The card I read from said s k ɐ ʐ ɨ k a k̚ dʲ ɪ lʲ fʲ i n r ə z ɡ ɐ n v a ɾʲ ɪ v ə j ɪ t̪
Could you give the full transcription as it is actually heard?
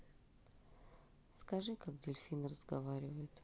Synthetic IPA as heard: s k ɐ ʐ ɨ k a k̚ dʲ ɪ lʲ fʲ i n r ə z ɡ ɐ v a ɾʲ ɪ v ə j ɪ t̪